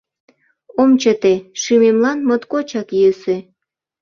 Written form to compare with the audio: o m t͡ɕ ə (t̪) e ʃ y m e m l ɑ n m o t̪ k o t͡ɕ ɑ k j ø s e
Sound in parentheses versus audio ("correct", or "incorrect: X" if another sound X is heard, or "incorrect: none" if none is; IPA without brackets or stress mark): correct